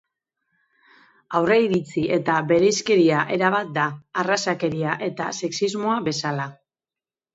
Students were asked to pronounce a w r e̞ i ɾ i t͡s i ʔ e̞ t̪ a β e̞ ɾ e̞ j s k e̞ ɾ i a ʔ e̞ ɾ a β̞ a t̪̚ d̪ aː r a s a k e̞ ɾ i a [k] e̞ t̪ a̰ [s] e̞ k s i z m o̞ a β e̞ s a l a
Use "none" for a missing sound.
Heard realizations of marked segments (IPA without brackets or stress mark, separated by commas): ʔ, s